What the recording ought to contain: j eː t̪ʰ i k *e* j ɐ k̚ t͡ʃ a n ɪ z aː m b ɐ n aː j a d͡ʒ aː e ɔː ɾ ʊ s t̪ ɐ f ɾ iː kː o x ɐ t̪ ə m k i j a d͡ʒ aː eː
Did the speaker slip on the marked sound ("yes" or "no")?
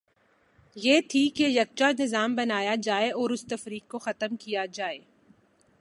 no